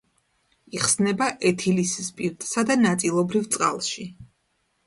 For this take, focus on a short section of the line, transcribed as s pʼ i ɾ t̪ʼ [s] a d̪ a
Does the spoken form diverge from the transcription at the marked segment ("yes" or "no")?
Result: no